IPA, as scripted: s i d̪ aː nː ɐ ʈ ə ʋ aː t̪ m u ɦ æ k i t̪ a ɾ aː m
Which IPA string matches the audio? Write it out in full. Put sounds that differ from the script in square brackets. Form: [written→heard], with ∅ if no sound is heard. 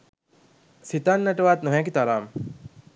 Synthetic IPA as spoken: s i [d̪→t̪] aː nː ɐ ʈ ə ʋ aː t̪ [m→n] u ɦ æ k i t̪ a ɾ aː m